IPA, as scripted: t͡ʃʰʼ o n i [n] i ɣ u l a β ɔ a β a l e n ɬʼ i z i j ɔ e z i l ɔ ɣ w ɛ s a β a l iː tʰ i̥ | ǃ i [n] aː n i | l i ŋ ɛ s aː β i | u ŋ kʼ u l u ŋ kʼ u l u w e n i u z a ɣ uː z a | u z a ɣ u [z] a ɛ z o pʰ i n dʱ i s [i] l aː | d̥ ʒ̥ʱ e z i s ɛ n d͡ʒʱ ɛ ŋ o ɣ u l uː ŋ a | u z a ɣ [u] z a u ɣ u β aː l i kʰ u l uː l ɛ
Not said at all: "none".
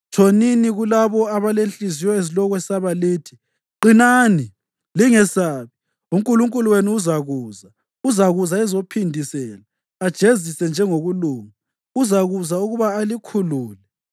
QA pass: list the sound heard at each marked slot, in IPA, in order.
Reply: n, n, z, ɛ, u

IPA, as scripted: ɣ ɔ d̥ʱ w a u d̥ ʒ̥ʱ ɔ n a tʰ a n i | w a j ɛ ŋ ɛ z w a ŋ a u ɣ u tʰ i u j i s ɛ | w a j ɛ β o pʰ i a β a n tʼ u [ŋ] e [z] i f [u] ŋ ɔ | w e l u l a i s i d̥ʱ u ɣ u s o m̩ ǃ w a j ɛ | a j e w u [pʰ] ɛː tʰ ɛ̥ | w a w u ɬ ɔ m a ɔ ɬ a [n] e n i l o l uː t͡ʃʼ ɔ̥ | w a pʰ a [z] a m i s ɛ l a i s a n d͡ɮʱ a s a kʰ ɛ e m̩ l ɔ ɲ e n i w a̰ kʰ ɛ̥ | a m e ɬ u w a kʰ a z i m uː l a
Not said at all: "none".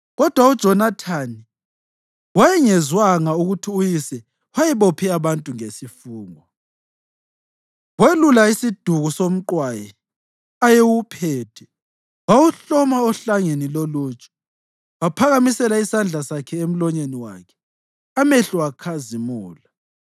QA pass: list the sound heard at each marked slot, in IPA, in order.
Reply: ŋ, s, uː, pʰ, ŋ, ɣ

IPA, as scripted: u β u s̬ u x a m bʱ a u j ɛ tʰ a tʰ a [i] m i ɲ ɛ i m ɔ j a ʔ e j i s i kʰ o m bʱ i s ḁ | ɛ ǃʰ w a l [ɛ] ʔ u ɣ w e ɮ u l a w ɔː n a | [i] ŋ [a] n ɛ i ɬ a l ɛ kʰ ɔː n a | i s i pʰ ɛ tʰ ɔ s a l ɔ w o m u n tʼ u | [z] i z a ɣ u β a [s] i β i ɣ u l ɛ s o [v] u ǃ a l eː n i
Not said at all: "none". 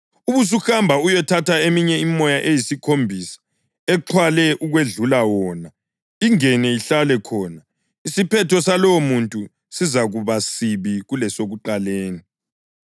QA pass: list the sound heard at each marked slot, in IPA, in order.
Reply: e, ɛ, i, ɛ, s, s, ɣ

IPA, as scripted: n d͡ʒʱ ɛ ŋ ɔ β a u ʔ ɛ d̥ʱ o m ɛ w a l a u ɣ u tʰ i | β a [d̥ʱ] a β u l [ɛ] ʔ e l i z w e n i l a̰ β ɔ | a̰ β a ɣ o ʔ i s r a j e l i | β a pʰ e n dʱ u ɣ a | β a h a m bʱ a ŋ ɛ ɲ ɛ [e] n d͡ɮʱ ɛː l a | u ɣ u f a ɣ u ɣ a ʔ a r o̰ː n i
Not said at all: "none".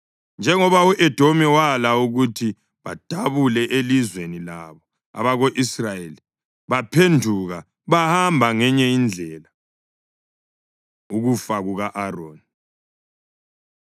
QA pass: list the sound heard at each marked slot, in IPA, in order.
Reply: d̥ʱ, ɛ, i

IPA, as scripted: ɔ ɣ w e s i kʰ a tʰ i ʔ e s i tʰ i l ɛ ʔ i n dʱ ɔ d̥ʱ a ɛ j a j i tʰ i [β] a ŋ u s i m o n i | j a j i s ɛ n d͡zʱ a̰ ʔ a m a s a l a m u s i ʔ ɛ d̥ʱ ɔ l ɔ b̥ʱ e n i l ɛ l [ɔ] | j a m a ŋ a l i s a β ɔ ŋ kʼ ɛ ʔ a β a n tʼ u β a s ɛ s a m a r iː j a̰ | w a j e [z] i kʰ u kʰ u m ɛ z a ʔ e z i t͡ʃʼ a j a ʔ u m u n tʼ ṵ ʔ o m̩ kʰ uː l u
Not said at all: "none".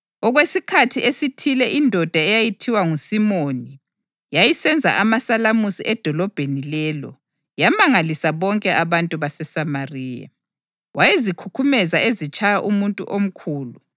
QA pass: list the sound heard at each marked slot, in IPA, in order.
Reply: w, ɔ, z

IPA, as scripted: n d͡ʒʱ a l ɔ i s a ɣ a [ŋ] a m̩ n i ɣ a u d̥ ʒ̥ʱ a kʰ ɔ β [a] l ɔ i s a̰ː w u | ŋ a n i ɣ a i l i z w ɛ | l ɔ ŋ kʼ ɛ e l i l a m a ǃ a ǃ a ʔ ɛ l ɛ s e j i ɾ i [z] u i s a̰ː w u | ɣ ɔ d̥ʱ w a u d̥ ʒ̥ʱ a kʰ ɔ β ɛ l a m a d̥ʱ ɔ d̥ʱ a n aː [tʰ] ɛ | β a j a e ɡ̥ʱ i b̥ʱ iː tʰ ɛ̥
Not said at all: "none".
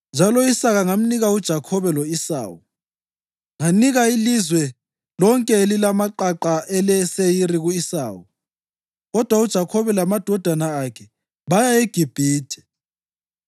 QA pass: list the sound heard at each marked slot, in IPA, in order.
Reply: ŋ, ɛ, ɣ, kʰ

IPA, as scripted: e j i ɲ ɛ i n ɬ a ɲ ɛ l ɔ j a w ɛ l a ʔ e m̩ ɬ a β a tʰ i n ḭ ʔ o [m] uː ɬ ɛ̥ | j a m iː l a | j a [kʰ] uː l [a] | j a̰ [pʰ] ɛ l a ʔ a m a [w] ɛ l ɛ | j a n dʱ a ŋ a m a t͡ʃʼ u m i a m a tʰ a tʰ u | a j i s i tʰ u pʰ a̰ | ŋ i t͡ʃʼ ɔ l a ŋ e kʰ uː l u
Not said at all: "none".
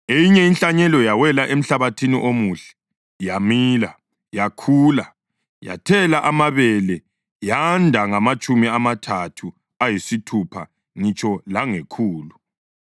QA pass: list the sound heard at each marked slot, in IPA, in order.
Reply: m, kʰ, a, tʰ, β

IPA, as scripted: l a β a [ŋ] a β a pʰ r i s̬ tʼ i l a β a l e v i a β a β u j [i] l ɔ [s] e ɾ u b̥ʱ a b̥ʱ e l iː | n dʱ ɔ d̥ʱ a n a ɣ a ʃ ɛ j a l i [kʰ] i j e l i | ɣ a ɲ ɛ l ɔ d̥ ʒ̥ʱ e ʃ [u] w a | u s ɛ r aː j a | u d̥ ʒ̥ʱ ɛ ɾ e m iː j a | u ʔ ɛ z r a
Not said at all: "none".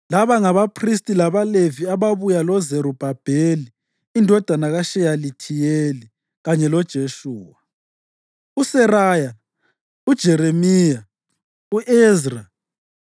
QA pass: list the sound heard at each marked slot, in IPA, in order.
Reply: ŋ, a, z, tʰ, uː

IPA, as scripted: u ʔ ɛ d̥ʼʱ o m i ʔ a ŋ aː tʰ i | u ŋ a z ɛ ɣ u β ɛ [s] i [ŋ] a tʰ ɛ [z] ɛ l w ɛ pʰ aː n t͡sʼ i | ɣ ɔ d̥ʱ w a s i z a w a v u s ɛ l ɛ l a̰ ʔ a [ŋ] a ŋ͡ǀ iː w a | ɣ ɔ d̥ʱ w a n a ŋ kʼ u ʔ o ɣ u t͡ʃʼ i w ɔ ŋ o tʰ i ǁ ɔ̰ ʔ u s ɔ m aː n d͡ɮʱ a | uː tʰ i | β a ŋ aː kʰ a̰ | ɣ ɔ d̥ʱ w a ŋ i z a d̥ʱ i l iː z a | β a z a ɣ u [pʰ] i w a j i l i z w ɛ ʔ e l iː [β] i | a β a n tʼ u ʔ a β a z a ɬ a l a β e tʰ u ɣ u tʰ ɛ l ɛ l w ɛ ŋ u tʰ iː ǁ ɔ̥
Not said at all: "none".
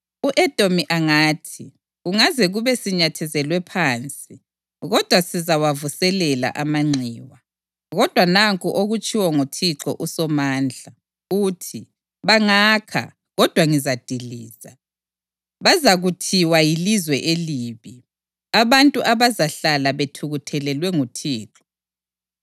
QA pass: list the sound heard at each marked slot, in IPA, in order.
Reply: s, ɲ, z, m, tʰ, β

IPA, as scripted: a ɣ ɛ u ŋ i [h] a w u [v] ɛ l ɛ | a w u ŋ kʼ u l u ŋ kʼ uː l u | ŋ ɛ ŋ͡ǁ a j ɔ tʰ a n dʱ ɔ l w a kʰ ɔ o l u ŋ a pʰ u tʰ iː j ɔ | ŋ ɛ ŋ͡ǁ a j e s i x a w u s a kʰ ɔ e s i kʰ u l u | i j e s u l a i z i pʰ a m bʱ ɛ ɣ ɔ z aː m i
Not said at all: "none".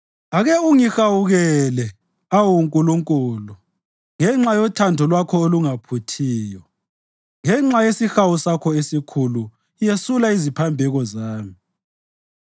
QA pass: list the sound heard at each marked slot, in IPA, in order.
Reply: x, ɣ

